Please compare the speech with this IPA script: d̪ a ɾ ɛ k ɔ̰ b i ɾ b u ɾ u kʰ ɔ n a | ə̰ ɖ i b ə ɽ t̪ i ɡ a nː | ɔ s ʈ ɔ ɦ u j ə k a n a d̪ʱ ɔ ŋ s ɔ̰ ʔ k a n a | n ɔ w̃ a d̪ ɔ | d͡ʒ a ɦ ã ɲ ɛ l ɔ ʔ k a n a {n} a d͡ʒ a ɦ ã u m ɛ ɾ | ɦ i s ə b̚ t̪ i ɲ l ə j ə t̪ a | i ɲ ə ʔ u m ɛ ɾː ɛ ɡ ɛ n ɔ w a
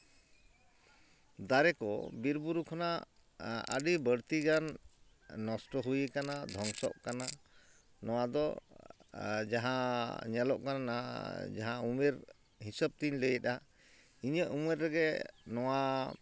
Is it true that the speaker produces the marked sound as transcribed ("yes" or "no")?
yes